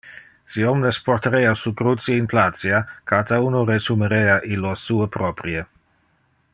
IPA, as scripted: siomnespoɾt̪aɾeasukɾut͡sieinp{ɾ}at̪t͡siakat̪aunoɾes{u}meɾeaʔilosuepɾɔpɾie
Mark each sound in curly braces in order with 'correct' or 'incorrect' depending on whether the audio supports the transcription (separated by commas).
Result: incorrect, correct